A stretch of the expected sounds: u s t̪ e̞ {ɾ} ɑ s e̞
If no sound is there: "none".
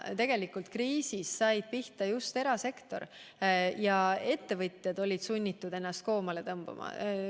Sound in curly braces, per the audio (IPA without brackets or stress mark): ɾ